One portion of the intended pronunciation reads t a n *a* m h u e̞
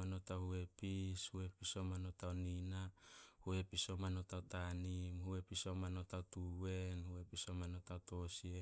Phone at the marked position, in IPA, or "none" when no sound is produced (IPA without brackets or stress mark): i